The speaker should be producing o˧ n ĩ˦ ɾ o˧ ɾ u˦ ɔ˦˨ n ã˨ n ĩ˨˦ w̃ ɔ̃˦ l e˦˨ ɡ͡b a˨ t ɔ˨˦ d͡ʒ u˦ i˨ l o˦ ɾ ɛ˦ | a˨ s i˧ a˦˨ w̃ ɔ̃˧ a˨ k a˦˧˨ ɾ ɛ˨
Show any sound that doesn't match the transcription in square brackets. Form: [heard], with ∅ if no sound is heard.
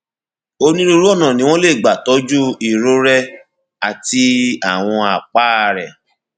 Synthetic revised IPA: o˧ n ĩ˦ ɾ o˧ ɾ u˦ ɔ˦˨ n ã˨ n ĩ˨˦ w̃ ɔ̃˦ l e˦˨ ɡ͡b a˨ t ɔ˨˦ d͡ʒ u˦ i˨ [ɾ] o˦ ɾ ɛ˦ | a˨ [t] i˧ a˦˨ w̃ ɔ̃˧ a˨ [k͡p] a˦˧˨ ɾ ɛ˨